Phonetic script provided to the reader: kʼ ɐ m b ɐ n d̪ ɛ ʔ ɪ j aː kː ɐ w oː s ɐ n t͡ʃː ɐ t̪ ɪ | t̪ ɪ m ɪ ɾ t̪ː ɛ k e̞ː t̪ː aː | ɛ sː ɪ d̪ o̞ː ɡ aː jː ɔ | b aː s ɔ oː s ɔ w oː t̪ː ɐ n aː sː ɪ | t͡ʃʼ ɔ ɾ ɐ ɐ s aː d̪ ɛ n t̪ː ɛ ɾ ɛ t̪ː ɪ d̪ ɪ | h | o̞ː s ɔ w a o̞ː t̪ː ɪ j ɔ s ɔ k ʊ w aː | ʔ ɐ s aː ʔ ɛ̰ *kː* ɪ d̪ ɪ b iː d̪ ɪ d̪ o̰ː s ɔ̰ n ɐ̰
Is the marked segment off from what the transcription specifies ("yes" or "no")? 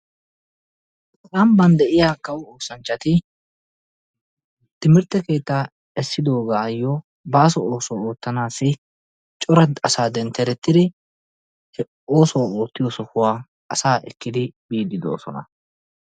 no